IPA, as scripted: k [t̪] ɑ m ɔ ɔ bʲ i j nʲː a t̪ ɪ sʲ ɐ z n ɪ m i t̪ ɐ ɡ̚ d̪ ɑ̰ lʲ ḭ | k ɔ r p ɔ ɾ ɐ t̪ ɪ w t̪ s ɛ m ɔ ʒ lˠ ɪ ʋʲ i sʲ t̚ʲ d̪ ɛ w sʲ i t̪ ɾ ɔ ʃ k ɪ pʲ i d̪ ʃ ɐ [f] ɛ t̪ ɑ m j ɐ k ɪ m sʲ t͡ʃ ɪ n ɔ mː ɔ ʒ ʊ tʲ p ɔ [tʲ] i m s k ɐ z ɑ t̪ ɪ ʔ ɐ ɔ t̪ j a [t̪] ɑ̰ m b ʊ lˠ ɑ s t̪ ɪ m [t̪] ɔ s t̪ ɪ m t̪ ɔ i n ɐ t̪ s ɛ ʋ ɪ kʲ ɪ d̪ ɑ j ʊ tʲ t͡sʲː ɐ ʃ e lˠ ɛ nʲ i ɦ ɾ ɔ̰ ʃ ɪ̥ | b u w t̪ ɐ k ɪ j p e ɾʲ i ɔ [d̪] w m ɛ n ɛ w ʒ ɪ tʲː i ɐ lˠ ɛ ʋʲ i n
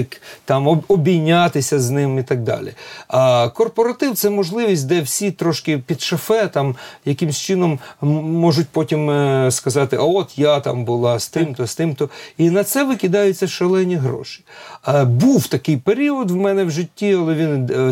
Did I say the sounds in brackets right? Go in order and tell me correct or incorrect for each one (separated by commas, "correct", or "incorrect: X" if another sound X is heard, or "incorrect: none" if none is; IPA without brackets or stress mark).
correct, correct, correct, correct, correct, correct